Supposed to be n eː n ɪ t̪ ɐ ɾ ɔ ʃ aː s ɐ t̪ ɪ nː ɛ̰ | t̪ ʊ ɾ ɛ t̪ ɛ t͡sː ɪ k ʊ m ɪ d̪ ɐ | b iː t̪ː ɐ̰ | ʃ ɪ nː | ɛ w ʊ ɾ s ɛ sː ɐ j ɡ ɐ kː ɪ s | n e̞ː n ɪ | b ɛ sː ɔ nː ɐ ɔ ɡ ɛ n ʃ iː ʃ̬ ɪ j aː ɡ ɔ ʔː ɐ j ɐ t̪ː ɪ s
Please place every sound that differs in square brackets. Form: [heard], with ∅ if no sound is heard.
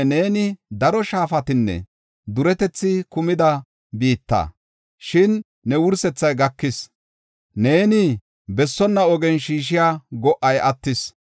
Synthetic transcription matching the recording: n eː n ɪ [d̪] ɐ ɾ ɔ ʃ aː [f] ɐ t̪ ɪ nː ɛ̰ | [d̪] ʊ ɾ ɛ t̪ ɛ t͡sː ɪ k ʊ m ɪ d̪ ɐ | b iː t̪ː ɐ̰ | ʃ ɪ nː | ɛ w ʊ ɾ s ɛ [t͡sː] ɐ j ɡ ɐ kː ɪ s | n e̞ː n ɪ | b ɛ sː ɔ nː ɐ ɔ ɡ ɛ n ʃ iː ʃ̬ ɪ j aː ɡ ɔ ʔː ɐ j ɐ t̪ː ɪ s